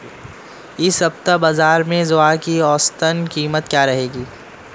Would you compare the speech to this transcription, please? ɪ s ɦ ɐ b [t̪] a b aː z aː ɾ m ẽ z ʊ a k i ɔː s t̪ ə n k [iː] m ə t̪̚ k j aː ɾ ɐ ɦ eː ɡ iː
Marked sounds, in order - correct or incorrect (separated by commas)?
correct, correct